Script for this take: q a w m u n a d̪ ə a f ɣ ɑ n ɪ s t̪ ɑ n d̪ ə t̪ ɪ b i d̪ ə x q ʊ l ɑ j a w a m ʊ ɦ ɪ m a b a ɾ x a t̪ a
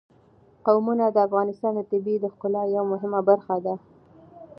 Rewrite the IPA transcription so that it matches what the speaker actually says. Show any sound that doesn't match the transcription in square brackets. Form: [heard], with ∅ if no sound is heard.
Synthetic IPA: q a w m u n a d̪ ə a f ɣ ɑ n ɪ s t̪ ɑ n d̪ ə t̪ ɪ b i d̪ ə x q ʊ l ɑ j a w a m ʊ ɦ ɪ m a b a ɾ x a [d̪] a